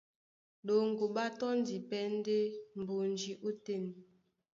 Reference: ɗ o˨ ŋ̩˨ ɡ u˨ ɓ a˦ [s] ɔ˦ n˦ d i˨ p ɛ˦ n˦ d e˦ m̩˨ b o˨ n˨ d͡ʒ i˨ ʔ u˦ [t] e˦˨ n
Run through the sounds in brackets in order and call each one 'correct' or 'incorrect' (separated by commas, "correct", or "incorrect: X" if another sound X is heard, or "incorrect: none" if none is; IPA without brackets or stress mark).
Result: incorrect: t, correct